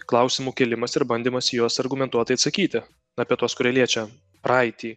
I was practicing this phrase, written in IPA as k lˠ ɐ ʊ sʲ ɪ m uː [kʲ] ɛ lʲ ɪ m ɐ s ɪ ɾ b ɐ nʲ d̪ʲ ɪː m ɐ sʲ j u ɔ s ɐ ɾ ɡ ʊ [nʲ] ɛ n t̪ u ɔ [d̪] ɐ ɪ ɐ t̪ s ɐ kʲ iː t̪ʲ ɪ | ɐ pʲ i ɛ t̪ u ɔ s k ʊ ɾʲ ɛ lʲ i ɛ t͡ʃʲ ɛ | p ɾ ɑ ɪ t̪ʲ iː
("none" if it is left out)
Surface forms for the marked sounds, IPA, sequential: kʲ, mʲ, t̪

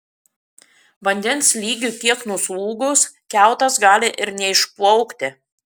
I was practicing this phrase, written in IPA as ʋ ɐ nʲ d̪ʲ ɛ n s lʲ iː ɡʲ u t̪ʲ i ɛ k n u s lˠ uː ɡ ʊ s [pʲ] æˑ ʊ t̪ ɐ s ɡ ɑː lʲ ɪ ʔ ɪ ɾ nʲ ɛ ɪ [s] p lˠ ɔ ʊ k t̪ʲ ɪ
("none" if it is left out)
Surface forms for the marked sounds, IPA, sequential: kʲ, ʃ

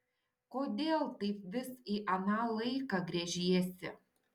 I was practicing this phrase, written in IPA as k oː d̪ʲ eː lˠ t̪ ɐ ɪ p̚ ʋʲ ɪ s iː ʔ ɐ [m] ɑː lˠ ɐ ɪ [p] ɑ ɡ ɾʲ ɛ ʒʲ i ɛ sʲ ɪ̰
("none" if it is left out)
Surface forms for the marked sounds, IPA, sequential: n, k

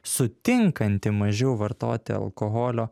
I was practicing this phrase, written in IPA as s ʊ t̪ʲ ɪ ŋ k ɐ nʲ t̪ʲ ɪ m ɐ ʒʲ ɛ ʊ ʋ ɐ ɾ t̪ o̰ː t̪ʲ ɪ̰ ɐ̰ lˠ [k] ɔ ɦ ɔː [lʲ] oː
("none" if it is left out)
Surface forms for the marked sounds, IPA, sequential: k, lʲ

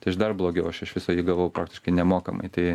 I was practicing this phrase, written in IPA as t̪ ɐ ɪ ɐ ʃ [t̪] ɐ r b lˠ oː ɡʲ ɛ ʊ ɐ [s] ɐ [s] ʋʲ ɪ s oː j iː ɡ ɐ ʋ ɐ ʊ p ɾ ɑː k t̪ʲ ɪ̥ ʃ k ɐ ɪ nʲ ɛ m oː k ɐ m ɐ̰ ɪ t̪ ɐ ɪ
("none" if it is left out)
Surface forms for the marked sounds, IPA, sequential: d̪, ʃ, ʃ

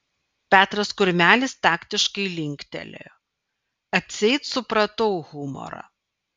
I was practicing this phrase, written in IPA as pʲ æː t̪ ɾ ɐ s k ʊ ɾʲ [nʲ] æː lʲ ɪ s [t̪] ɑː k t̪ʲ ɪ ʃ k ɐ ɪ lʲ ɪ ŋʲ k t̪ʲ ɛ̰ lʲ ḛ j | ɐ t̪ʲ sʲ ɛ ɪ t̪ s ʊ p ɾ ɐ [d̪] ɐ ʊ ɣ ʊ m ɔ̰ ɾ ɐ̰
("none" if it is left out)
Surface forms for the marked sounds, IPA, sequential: mʲ, t̪, t̪

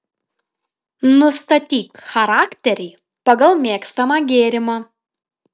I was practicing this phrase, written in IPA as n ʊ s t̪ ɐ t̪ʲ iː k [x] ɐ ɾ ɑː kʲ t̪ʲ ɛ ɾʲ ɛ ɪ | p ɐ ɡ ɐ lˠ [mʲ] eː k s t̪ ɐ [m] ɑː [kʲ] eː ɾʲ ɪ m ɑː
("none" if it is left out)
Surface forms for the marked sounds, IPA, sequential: x, mʲ, m, ɡʲ

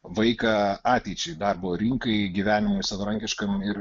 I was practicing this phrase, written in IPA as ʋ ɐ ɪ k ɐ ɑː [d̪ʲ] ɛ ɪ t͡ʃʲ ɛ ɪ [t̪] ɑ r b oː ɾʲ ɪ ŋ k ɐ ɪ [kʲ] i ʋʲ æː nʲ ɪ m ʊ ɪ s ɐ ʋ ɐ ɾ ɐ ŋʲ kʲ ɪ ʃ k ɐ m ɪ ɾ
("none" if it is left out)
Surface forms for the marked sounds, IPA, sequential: t̪ʲ, d̪, ɡʲ

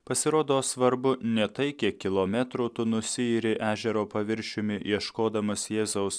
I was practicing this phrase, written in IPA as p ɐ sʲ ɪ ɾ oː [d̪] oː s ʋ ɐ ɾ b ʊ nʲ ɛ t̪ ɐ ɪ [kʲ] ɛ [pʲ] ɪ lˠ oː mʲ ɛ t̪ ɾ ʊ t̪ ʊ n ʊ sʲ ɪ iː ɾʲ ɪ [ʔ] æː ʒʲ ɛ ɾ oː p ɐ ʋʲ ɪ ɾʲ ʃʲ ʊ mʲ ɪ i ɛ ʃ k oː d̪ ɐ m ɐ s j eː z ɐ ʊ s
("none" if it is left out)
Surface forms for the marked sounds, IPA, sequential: d̪, kʲ, kʲ, ʔ

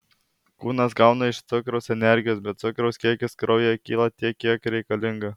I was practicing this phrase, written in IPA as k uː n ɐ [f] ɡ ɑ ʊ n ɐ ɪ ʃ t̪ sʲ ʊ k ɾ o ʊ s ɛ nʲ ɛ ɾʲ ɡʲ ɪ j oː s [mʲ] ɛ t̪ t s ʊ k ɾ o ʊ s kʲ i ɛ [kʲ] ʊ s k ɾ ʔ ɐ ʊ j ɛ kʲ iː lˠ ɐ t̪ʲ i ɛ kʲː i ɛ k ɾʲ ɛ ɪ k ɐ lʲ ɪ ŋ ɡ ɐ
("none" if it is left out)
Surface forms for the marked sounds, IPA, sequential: s, bʲ, kʲ

